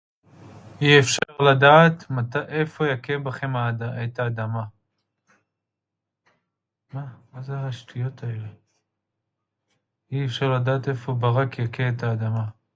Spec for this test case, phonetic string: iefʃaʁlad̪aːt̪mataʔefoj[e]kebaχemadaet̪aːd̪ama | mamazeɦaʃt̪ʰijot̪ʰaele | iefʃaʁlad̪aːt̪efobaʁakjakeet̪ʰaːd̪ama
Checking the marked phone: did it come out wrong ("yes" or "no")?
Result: yes